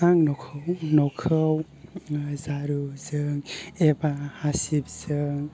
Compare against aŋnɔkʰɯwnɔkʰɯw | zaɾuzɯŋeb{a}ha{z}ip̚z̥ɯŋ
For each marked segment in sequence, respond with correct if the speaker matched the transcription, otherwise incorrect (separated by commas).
correct, incorrect